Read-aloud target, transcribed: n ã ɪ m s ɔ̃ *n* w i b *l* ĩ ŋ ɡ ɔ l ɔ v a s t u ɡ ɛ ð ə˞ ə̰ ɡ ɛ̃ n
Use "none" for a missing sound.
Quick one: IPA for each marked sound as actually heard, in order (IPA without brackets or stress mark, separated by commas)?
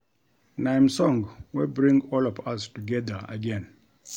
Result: ŋ, ɹ